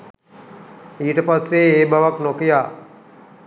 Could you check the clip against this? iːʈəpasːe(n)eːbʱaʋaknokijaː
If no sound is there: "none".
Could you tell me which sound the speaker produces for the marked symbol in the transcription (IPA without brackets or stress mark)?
none